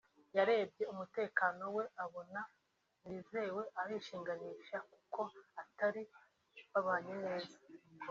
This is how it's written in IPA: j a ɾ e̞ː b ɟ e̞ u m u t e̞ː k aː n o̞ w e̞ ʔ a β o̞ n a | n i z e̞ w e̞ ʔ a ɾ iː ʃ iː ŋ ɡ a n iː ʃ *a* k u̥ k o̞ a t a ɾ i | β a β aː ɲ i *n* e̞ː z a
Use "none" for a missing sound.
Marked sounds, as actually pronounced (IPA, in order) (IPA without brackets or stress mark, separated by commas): a, n